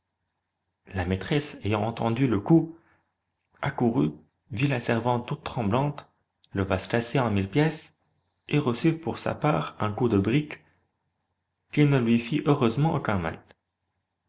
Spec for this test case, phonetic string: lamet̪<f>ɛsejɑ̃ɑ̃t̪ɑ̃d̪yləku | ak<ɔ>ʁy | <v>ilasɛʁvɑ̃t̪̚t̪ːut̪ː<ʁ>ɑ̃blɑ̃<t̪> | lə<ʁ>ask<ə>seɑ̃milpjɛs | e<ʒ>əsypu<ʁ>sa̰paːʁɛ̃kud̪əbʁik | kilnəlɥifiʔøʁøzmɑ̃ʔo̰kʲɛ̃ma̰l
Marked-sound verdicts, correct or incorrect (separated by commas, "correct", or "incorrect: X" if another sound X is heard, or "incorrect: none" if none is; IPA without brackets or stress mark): incorrect: χ, incorrect: u, correct, incorrect: χ, correct, incorrect: v, incorrect: a, incorrect: ʁ, correct